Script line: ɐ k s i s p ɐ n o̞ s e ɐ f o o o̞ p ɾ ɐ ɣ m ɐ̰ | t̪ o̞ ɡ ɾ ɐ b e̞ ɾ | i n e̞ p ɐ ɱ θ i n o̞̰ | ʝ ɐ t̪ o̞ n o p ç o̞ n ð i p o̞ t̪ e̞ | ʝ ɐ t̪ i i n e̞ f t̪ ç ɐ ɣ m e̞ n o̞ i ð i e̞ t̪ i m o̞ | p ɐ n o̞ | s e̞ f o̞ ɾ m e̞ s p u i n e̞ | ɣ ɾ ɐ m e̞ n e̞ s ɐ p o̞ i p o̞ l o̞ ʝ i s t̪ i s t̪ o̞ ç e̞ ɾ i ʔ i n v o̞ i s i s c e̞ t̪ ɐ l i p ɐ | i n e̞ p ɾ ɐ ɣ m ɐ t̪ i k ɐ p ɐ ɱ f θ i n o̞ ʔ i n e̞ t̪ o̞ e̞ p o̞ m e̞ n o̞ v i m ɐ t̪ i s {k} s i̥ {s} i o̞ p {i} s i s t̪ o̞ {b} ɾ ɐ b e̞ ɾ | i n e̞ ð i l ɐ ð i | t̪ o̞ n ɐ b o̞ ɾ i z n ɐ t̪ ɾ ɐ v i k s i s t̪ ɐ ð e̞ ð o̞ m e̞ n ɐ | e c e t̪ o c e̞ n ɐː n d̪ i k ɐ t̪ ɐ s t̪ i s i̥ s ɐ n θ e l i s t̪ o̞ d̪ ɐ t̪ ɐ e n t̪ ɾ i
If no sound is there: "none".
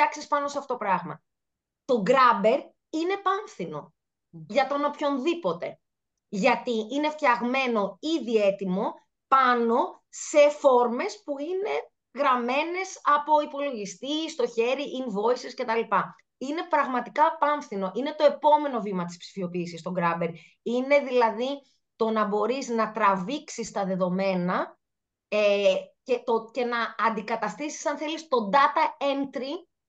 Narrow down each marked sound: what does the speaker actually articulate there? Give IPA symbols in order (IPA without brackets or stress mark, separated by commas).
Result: p, f, iː, ɡ